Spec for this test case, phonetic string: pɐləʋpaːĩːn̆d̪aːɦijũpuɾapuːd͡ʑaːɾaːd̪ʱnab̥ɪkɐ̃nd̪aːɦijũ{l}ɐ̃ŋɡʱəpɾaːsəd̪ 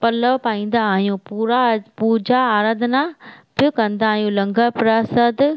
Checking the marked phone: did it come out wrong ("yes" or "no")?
no